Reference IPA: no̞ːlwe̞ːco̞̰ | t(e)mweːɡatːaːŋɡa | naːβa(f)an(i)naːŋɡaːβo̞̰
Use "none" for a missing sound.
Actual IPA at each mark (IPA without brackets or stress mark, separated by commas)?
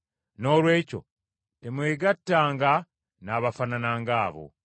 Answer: e, f, a